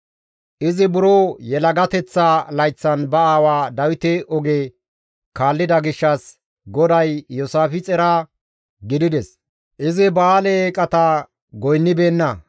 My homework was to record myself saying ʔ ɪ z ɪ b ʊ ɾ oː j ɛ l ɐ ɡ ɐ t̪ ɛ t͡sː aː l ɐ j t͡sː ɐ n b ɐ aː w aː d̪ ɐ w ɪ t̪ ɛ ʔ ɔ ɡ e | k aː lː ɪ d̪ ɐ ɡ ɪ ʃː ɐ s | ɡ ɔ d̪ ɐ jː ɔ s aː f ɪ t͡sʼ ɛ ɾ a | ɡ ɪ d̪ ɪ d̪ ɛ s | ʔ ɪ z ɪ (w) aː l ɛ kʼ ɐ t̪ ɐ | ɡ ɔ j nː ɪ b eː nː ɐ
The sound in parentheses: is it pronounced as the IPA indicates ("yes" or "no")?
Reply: no